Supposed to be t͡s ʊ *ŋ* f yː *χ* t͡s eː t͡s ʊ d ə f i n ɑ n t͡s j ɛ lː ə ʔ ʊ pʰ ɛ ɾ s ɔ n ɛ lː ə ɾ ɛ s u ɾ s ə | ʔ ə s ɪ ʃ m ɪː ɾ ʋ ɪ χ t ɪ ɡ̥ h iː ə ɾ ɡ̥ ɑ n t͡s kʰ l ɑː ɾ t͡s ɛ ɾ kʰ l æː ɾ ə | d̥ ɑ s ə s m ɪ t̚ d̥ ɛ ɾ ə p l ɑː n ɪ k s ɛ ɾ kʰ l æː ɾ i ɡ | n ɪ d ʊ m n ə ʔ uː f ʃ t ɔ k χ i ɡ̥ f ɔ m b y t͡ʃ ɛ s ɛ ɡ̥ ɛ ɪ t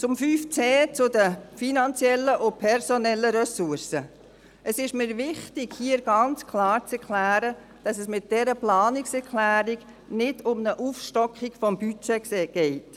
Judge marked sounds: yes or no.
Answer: no, no

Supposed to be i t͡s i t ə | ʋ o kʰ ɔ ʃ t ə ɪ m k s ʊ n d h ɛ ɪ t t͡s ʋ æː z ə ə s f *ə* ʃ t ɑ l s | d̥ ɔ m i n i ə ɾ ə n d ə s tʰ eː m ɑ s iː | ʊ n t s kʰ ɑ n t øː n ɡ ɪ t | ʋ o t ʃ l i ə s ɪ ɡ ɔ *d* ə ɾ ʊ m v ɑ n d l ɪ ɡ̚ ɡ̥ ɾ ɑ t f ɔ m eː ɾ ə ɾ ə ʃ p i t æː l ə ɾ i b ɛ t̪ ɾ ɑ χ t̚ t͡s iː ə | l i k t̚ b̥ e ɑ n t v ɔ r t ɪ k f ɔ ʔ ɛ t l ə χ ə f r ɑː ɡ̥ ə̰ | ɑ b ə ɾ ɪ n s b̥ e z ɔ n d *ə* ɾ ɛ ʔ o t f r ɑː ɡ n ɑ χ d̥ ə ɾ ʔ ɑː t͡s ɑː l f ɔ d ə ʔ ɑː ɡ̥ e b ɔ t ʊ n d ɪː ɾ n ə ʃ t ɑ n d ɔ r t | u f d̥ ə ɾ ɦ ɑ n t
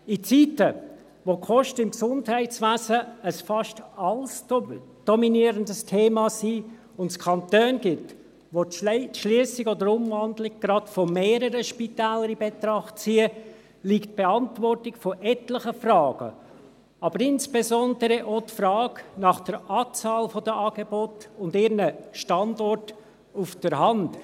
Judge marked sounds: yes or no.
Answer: no, yes, yes

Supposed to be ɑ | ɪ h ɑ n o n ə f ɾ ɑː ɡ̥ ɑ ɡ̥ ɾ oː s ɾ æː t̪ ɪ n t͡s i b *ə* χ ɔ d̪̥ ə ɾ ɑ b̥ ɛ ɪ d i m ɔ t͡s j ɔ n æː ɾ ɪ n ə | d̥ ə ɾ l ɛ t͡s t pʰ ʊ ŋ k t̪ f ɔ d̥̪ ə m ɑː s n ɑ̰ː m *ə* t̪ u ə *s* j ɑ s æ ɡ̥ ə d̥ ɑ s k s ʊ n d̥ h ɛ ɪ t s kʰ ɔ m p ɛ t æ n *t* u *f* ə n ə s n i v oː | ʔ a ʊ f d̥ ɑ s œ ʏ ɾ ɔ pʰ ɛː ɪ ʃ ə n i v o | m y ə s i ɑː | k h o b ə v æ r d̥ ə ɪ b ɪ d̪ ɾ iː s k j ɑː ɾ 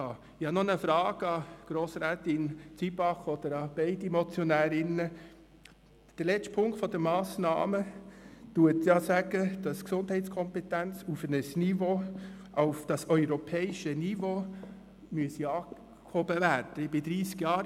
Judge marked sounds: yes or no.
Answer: no, yes, no, no, yes

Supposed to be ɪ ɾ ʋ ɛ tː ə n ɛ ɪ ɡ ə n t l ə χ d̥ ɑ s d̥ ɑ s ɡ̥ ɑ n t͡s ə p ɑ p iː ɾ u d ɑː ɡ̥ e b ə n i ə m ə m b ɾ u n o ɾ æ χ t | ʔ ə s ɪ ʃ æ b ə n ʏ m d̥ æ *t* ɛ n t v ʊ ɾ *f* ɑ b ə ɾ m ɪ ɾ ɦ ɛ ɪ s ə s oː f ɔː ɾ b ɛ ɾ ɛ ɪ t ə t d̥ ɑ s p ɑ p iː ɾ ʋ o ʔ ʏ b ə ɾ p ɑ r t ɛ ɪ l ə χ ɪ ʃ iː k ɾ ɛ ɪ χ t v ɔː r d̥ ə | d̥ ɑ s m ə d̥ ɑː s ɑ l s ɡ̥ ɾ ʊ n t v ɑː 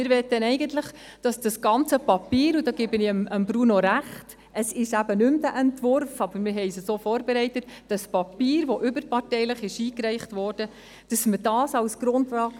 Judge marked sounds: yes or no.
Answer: no, yes

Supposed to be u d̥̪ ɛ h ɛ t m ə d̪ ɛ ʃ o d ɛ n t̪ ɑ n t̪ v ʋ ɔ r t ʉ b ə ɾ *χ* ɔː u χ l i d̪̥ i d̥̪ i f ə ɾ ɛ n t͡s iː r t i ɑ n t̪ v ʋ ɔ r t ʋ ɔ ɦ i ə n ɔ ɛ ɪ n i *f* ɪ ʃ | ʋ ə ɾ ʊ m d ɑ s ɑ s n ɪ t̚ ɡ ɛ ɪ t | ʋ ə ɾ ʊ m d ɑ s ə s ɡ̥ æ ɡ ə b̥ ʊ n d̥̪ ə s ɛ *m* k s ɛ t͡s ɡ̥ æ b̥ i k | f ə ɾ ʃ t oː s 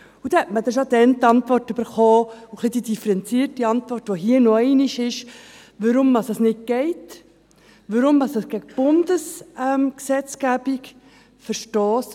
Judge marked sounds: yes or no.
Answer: yes, no, yes

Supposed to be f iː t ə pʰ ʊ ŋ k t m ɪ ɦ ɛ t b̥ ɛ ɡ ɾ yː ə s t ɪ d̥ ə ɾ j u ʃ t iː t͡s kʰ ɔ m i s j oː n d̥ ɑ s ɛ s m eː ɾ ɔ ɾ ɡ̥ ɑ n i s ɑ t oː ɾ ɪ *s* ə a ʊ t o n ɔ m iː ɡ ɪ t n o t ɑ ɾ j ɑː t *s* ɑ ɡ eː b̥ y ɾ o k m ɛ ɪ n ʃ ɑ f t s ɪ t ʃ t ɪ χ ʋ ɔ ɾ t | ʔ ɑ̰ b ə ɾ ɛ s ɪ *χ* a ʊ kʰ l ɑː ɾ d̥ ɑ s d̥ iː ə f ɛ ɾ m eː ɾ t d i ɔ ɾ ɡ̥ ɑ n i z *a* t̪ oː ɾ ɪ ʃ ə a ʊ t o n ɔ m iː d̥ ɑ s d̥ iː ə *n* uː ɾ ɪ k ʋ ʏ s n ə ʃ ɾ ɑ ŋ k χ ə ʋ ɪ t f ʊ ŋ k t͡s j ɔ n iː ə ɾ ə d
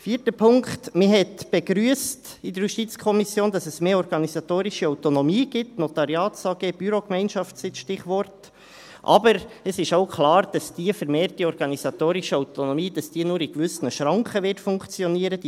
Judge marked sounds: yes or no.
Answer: no, yes, no, no, yes

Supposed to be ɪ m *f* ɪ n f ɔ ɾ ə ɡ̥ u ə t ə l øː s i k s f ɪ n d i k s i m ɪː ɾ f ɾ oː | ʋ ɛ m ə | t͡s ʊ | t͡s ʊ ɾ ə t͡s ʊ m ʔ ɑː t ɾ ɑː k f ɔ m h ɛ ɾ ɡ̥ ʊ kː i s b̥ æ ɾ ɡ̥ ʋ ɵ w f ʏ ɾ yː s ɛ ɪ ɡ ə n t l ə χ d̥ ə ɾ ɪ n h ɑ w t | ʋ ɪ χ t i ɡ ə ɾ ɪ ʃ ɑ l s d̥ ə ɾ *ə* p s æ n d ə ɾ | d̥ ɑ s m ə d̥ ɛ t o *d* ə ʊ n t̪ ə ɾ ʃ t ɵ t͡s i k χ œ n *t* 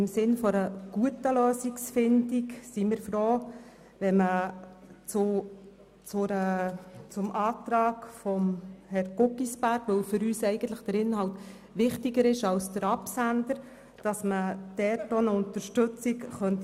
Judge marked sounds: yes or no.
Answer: no, no, no, yes

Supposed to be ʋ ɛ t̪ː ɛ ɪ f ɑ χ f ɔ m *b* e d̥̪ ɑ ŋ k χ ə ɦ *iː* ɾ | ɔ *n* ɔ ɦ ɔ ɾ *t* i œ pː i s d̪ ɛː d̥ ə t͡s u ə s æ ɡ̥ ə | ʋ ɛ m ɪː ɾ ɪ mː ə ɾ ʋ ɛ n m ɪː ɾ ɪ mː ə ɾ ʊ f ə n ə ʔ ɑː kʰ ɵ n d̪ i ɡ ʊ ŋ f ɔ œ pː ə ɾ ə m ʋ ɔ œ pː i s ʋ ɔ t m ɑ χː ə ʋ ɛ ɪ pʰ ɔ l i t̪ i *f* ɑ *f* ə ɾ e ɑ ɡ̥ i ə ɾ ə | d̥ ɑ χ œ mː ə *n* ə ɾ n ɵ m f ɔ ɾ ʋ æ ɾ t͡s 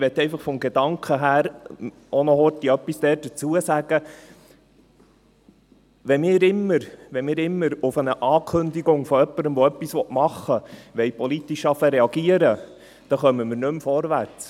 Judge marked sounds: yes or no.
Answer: no, no, yes, yes, no, yes, no

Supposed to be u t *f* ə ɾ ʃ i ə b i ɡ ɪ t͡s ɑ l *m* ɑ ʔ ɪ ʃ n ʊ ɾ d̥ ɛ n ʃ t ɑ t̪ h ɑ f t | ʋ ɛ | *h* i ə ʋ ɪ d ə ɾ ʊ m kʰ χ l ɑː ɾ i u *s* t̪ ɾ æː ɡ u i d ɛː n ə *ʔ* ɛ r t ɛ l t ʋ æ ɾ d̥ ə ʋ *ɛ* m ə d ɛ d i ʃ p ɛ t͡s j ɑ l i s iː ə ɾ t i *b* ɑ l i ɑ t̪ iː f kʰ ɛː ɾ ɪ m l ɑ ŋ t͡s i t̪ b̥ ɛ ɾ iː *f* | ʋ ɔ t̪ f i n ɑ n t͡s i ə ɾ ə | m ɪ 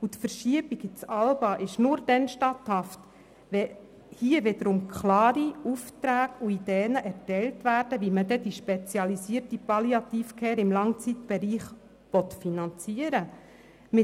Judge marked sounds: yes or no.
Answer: yes, no, yes, no, yes, no, no, no

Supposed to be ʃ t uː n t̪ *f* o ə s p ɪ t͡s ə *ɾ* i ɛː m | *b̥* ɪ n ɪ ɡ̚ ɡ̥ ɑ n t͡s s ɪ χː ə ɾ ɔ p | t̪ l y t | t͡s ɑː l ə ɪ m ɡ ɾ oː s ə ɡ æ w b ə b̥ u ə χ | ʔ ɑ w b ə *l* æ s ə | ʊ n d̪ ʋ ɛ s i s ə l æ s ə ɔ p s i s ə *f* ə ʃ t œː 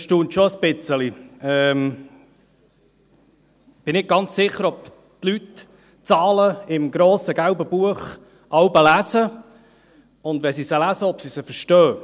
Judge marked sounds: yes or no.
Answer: no, no, yes, yes, yes

